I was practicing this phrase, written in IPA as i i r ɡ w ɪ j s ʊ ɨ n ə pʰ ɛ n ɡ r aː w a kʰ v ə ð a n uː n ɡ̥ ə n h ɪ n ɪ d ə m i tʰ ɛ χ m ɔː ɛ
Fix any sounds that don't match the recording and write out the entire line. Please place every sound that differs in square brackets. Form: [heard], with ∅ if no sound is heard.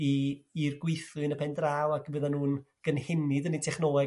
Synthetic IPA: i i r ɡ w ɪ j [θ] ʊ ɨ n ə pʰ ɛ n [d] r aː w a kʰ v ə ð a n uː n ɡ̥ ə n h ɪ n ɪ d ə [n] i tʰ ɛ χ [n] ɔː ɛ